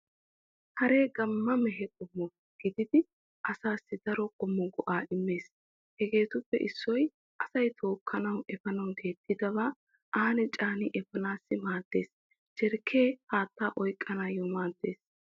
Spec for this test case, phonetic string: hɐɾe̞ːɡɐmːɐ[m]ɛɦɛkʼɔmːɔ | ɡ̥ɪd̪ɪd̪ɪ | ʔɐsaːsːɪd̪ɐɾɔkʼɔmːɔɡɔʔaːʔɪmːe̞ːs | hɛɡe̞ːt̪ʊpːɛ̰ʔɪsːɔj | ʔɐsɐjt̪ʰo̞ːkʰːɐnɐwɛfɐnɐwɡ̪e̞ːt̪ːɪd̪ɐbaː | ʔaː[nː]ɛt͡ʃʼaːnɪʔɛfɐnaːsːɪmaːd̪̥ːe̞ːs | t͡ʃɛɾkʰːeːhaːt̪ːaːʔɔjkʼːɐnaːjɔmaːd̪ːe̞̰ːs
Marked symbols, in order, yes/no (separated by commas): yes, no